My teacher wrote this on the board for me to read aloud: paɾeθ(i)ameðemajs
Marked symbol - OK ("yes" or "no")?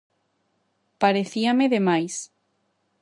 yes